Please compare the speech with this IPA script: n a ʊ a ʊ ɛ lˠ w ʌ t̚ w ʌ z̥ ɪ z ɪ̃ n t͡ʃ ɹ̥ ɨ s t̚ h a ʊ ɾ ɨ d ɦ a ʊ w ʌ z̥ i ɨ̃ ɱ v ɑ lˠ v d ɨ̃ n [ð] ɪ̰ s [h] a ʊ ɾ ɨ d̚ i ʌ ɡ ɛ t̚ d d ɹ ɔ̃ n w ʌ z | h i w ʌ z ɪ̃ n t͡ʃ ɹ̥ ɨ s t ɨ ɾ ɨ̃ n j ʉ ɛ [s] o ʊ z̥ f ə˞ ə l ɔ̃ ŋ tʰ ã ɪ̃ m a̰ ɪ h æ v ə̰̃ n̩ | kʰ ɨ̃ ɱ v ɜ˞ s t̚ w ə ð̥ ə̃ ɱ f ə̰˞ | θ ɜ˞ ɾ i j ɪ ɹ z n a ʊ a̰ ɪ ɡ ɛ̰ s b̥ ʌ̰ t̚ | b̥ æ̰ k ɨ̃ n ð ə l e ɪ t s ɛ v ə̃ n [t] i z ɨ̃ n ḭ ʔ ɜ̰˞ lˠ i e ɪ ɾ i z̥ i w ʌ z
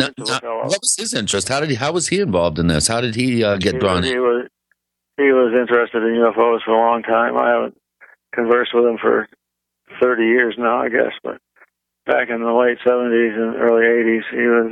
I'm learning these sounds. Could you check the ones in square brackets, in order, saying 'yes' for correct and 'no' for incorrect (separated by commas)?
yes, yes, no, yes